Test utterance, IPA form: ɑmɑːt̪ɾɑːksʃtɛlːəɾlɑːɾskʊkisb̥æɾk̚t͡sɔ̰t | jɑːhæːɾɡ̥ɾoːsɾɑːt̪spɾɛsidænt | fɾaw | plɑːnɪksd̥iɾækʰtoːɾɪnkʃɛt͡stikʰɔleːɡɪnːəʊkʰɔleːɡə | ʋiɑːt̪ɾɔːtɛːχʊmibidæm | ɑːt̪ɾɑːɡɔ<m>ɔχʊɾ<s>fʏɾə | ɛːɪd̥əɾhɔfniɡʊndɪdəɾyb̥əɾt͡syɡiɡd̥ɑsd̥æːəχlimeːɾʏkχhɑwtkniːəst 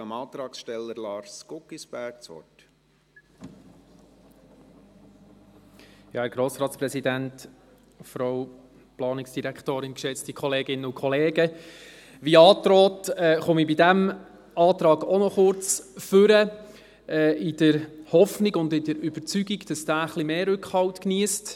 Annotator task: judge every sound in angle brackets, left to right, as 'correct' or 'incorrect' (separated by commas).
incorrect, incorrect